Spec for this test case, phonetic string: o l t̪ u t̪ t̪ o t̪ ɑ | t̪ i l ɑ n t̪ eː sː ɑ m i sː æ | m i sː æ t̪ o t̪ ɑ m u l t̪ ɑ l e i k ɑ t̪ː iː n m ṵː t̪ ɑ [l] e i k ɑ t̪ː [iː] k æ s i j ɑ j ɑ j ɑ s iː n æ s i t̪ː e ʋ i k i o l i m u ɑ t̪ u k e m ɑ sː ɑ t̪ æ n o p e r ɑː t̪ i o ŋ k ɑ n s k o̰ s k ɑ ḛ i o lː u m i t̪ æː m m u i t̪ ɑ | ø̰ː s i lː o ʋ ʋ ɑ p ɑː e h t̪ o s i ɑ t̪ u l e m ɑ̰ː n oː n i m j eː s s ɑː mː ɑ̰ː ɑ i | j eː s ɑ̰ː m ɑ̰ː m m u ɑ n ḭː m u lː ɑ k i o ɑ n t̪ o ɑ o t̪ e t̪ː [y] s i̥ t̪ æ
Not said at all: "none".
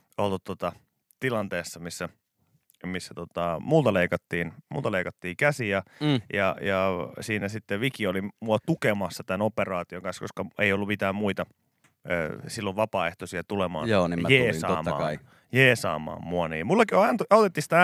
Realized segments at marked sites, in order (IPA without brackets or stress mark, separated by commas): l, iː, i